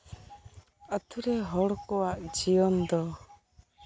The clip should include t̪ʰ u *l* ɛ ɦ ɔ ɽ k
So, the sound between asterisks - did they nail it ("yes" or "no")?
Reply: no